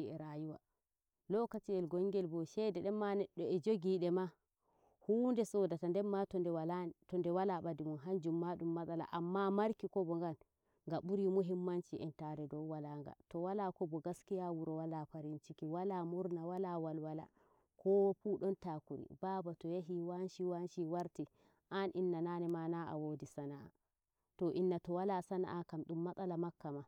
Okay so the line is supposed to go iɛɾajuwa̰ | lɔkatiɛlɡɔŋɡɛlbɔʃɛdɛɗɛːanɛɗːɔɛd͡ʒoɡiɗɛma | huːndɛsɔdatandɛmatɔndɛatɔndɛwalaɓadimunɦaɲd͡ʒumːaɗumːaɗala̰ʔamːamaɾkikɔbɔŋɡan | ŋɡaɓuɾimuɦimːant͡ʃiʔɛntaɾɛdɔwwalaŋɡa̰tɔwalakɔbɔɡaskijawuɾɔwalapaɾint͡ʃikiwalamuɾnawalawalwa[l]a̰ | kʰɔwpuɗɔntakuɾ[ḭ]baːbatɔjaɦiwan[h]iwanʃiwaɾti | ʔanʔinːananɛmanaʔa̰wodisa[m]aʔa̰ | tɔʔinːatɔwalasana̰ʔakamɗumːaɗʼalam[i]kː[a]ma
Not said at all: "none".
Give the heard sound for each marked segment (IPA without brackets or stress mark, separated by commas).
l, ḭ, ʃ, n, a, a